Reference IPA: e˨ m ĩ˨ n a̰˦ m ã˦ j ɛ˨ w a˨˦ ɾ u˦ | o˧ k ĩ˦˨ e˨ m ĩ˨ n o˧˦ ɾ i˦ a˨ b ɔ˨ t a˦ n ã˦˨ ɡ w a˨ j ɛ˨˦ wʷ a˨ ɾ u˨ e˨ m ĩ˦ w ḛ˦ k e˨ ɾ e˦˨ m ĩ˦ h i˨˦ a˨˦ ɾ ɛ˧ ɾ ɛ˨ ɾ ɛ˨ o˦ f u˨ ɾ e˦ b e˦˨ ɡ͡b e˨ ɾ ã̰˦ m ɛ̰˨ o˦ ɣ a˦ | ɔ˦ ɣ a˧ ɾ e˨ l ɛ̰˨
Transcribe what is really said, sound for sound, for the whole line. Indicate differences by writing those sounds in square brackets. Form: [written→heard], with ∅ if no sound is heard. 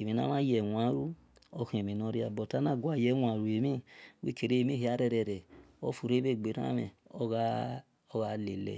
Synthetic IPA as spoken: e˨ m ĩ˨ n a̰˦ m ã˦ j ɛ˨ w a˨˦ ɾ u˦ | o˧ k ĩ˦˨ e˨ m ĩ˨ n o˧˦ ɾ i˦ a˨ b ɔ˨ t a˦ n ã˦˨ ɡ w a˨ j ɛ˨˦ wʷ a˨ ɾ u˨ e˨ m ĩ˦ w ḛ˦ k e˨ ɾ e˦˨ m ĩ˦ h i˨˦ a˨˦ ɾ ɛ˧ ɾ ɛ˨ ɾ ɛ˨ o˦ f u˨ ɾ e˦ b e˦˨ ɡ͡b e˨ ɾ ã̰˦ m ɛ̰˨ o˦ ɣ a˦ | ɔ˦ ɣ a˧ [ɾ→l] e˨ l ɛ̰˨

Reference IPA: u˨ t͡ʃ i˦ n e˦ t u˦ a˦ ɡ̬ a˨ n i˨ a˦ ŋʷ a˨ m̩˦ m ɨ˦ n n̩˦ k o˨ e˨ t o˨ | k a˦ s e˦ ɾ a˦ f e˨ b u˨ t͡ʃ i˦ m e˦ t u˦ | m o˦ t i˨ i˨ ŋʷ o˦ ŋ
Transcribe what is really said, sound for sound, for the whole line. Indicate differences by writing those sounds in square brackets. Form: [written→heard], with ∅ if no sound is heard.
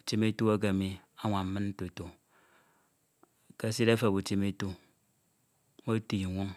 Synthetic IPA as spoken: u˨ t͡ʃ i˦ [n→m] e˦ t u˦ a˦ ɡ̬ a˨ [n→m] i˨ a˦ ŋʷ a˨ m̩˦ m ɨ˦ n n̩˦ [k→t] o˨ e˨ t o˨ | k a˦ s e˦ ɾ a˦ f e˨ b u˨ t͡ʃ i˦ m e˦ t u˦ | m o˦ t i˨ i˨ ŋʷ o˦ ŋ

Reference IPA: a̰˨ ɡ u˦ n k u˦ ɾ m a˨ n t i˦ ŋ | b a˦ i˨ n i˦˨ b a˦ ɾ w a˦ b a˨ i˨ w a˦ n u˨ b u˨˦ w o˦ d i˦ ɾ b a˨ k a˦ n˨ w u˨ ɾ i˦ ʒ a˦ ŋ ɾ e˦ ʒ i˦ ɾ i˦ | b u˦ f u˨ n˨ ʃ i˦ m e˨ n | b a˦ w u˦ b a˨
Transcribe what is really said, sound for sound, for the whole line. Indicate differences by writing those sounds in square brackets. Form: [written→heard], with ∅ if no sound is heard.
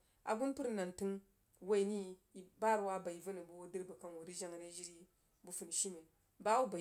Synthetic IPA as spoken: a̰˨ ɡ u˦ n [k→p] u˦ ɾ [m→n] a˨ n t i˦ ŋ | [b→w] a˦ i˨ n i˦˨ b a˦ ɾ w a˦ b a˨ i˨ [w→v] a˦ n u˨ b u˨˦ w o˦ d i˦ ɾ b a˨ k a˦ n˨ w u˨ ɾ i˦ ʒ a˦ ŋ ɾ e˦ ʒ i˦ ɾ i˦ | b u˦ f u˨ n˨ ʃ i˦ m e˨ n | b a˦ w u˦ b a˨

